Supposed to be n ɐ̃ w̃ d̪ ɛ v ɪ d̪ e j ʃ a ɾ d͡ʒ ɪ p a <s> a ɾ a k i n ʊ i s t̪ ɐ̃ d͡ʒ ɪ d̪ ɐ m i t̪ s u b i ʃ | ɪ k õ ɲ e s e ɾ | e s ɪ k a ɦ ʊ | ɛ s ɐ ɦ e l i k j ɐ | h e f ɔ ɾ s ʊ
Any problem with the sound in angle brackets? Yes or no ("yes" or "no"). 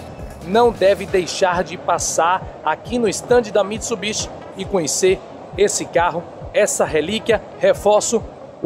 no